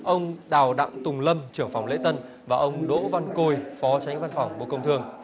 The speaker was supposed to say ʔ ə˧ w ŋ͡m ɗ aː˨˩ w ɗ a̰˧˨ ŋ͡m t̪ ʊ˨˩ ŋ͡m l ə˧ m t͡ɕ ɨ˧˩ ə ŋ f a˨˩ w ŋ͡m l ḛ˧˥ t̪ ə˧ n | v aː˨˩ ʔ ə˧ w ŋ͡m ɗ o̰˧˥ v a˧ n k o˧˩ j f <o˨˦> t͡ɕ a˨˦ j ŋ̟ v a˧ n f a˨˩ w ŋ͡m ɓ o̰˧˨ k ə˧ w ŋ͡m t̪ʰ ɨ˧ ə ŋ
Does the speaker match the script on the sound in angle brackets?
no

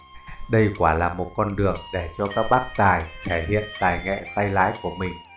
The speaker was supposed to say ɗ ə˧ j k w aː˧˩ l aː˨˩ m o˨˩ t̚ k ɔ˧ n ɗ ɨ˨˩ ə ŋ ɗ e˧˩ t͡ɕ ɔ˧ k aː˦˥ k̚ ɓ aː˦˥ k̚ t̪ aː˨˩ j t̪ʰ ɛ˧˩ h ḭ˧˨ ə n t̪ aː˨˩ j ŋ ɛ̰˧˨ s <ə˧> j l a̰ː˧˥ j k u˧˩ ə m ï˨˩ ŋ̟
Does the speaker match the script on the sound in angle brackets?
no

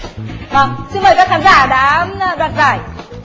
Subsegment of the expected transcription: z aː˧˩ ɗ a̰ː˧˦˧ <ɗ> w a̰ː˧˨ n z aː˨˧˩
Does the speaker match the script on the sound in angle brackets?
yes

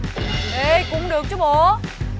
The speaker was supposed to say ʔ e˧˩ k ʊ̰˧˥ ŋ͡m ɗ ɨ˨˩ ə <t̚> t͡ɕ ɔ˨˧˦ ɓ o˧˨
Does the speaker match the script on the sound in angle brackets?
no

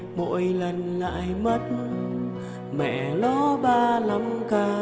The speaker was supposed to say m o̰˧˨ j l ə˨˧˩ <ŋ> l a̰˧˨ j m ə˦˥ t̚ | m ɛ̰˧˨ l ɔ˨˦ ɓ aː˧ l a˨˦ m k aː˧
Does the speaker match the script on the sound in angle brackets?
no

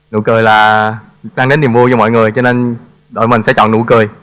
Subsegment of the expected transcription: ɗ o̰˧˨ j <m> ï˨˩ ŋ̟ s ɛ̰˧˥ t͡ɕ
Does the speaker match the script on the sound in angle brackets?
yes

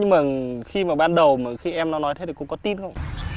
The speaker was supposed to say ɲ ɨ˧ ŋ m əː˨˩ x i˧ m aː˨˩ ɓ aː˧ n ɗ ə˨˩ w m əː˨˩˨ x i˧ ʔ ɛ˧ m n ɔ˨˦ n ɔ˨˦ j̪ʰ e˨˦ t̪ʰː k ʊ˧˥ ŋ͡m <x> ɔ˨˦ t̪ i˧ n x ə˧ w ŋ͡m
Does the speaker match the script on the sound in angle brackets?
no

